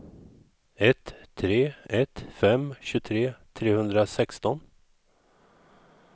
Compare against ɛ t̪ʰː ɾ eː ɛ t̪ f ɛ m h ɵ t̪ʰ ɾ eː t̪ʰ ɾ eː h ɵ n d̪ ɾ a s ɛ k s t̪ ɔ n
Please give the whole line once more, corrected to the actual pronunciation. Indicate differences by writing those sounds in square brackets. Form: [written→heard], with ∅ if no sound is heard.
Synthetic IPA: ɛ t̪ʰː ɾ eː ɛ t̪ f ɛ m [h→ɕ] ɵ t̪ʰ ɾ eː t̪ʰ ɾ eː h ɵ n d̪ ɾ a s ɛ k s t̪ ɔ n